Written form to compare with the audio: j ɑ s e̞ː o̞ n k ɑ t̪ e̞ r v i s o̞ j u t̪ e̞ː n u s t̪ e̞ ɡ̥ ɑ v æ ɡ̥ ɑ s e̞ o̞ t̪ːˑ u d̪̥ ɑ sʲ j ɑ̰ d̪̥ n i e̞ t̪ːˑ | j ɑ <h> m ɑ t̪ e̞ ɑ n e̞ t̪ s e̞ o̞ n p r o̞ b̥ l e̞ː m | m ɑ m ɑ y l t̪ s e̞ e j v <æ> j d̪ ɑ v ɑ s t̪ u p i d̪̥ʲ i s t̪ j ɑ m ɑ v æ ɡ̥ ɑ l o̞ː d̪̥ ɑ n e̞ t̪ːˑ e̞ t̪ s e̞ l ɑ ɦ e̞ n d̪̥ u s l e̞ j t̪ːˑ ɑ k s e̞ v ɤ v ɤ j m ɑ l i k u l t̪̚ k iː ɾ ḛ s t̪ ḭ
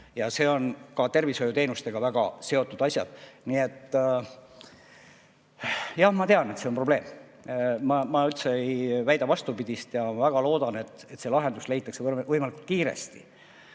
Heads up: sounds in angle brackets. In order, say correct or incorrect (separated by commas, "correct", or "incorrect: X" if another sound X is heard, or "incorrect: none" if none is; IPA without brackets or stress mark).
correct, correct